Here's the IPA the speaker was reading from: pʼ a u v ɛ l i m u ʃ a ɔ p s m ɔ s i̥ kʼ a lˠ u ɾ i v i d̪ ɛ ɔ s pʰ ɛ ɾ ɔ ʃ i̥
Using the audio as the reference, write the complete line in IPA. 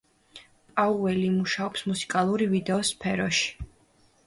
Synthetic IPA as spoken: pʼ a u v ɛ l i m u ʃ a ɔ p s m u s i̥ kʼ a lˠ u ɾ i v i d̪ ɛ ɔ s pʰ ɛ ɾ ɔ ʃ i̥